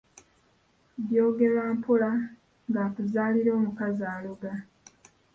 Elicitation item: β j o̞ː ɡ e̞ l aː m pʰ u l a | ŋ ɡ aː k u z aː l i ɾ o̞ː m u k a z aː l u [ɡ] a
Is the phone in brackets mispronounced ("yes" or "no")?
no